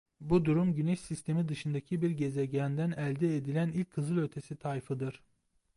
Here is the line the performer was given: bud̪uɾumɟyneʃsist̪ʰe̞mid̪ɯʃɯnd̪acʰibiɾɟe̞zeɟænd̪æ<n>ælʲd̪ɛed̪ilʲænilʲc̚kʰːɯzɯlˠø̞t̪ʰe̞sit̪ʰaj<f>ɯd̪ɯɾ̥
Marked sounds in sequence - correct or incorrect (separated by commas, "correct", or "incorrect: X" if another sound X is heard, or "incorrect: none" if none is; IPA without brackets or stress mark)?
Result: correct, correct